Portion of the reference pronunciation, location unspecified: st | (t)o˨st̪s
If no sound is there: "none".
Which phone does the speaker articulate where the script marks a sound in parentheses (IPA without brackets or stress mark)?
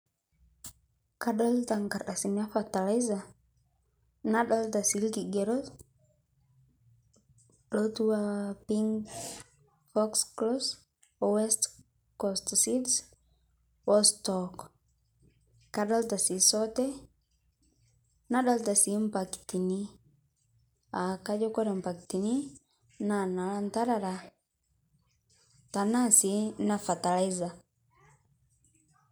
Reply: k